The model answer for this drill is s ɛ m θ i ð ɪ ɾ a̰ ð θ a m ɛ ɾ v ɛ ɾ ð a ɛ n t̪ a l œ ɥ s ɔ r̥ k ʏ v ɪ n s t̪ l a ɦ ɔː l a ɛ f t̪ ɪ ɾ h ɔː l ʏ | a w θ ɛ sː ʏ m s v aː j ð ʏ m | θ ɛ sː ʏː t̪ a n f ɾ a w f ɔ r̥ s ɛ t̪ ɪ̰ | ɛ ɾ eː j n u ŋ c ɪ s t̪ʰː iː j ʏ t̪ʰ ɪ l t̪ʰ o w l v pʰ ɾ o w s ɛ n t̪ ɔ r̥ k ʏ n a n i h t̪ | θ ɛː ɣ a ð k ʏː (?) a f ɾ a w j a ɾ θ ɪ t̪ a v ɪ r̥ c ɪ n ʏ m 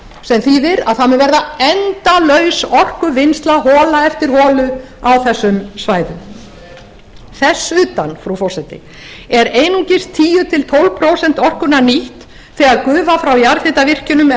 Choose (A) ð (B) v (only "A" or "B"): B